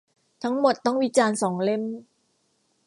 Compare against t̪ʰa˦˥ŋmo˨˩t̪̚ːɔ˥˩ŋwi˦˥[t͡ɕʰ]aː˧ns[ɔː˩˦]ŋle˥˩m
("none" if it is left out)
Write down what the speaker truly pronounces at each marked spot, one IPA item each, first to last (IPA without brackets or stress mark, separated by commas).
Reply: t͡ɕ, ɔː˩˦